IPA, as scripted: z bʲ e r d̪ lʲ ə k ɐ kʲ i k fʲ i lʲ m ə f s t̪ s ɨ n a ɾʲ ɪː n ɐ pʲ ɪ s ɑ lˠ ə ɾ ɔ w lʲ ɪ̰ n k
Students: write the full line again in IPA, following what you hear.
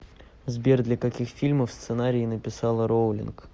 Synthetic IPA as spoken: z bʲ e r d̪ lʲ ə k ɐ kʲ i x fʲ i lʲ m ə f s t̪ s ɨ n a ɾʲ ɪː n ə pʲ ɪ s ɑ lˠ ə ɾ o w lʲ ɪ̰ n k